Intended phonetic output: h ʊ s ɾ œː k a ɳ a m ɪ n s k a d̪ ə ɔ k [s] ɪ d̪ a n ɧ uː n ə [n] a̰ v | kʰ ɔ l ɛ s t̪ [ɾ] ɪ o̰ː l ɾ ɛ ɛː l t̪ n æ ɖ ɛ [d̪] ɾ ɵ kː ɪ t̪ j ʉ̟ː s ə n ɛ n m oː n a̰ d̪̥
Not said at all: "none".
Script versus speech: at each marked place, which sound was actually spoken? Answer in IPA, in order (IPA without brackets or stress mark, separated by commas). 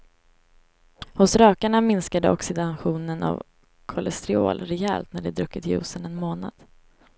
s, n, ɾ, d̪